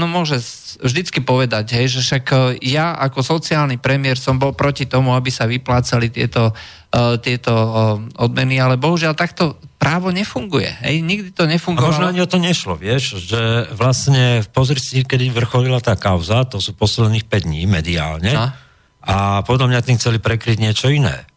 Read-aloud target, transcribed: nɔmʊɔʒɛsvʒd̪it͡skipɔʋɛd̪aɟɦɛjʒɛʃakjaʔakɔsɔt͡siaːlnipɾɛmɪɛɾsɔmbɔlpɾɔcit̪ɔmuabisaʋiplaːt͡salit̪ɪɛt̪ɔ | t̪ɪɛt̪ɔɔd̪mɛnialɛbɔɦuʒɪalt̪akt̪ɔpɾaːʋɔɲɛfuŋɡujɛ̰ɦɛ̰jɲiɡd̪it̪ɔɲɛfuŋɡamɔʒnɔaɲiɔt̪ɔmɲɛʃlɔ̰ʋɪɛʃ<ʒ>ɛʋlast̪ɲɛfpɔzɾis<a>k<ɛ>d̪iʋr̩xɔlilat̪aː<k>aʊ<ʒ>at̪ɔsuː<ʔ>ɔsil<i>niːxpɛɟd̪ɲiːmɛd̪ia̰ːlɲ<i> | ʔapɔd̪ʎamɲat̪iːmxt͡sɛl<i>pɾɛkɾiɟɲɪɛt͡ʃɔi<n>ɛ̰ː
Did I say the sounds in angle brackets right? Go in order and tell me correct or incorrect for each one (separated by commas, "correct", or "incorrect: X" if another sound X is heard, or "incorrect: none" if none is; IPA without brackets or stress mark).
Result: correct, incorrect: i, correct, correct, incorrect: z, incorrect: p, incorrect: ɛ, incorrect: ɛ, correct, correct